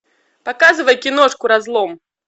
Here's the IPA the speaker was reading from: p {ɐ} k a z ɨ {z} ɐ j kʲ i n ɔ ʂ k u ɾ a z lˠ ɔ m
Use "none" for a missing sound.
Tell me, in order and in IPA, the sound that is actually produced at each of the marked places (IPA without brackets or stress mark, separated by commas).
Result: a, v